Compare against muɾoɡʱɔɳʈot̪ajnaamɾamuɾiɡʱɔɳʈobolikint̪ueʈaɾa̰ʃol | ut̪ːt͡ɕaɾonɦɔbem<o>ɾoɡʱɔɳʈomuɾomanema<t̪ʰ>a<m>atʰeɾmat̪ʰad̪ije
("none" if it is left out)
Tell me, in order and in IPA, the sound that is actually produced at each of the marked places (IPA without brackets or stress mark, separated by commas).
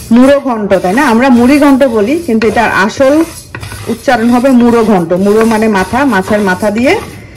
u, t̪ʰ, m